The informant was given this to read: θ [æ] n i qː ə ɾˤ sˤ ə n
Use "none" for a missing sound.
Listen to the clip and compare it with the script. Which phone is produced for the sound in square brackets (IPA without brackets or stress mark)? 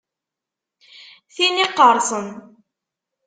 i